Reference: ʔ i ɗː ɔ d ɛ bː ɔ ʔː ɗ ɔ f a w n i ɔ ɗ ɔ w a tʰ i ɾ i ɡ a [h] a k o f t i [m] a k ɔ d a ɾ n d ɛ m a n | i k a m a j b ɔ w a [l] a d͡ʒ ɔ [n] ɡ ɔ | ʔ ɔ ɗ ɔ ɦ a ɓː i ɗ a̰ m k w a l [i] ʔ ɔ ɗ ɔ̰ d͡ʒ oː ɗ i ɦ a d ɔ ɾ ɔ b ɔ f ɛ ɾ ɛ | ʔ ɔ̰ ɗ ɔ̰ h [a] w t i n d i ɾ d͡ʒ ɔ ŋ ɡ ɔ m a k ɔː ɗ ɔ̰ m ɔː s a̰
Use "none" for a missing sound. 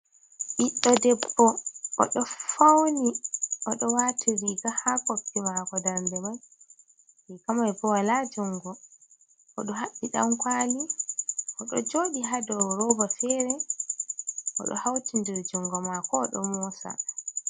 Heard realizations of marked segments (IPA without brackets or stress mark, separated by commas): h, m, l, ŋ, i, a